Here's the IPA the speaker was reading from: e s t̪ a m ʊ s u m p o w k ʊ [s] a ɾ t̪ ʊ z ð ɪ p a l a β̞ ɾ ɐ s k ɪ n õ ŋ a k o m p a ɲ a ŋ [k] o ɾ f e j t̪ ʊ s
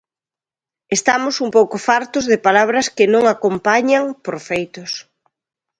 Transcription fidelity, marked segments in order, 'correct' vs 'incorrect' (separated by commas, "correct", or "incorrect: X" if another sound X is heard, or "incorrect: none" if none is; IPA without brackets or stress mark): incorrect: f, incorrect: p